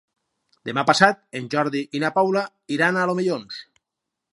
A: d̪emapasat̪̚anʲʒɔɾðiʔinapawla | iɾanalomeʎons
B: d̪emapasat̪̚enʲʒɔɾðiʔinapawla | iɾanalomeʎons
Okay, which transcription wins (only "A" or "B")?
B